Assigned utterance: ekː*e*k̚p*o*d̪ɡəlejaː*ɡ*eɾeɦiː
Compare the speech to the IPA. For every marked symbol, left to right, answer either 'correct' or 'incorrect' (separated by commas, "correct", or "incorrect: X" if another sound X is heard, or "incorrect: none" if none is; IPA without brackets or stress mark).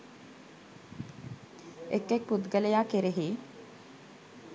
correct, incorrect: u, incorrect: k